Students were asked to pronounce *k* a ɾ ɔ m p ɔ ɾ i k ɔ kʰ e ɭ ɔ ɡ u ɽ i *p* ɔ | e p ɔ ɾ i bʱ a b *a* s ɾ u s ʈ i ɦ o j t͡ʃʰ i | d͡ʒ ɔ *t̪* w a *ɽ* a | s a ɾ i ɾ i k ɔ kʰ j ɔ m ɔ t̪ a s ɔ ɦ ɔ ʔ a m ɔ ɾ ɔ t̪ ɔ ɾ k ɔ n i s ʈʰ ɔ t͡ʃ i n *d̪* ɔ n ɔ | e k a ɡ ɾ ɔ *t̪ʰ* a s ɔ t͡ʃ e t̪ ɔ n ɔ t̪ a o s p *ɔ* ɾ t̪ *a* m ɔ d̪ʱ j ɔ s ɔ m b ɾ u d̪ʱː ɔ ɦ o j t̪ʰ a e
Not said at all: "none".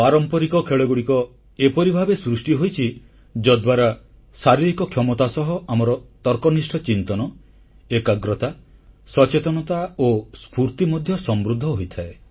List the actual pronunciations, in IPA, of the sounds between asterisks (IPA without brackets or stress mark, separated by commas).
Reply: p, k, e, d̪, ɾ, t̪, t̪, u, i